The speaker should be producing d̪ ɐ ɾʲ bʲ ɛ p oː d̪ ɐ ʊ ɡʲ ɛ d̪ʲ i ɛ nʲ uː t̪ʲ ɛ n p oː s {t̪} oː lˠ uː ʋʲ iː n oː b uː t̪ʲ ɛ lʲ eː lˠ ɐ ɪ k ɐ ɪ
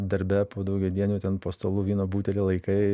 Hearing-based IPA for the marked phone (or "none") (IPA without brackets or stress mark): t̪